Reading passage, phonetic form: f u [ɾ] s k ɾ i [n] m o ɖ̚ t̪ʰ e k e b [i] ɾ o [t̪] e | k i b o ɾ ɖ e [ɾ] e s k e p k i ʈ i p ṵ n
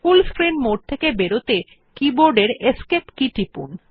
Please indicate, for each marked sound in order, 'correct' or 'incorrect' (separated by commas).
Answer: incorrect, correct, incorrect, correct, correct